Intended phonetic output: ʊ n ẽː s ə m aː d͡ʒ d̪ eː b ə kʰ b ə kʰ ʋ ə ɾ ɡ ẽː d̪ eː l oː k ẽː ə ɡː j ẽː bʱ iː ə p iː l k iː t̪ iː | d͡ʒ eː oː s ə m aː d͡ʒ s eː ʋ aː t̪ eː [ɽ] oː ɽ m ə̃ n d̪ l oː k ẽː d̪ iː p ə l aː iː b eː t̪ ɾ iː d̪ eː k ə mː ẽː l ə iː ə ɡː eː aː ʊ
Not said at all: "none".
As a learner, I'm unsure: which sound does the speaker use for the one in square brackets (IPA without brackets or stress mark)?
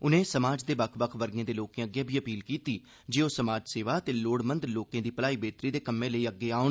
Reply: l